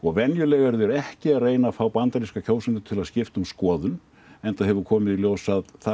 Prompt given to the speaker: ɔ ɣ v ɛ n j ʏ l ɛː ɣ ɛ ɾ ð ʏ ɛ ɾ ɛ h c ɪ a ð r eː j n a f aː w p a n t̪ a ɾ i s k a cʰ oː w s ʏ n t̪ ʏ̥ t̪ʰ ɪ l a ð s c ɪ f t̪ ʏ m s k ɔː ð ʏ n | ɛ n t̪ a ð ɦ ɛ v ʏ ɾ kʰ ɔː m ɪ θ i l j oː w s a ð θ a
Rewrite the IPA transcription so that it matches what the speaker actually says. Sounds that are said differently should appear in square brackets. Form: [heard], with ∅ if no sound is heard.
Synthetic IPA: ɔ ɣ v ɛ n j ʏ l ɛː ɣ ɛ ɾ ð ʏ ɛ ɾ ɛ h c ɪ a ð r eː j n a f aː w p a n t̪ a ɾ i s k a cʰ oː w s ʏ n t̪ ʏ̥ t̪ʰ ɪ l a ð s c ɪ f t̪ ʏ m s k ɔː ð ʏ n | ɛ n t̪ a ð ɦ ɛ v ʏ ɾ kʰ ɔː m ɪ [ð] i l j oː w s a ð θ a